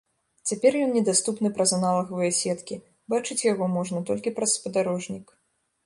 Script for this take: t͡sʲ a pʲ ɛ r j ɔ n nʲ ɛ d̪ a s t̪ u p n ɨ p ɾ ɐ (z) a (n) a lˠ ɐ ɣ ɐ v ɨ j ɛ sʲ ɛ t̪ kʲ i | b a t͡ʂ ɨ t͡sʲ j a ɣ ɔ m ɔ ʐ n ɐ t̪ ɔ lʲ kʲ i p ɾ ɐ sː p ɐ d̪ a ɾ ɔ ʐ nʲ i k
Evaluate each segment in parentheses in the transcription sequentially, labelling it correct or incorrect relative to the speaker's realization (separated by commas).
correct, correct